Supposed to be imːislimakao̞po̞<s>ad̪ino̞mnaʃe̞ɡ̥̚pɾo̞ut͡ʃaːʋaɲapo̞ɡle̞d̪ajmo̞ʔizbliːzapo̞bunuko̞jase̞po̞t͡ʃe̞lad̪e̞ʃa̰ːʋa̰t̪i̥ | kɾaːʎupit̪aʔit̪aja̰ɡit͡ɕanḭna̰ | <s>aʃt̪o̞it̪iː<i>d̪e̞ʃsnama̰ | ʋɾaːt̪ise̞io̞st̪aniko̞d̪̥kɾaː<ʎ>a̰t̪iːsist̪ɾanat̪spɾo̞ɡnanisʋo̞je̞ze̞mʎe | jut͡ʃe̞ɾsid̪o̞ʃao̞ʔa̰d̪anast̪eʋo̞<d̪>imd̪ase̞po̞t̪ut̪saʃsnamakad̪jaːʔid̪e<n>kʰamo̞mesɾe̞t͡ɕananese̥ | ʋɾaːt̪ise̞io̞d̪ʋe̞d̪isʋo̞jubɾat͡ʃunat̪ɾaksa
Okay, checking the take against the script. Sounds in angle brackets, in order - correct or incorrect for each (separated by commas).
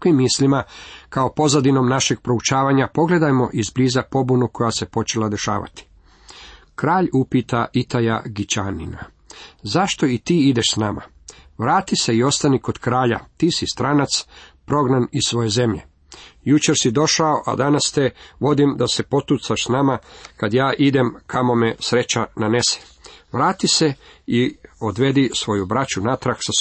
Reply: incorrect, incorrect, correct, correct, correct, incorrect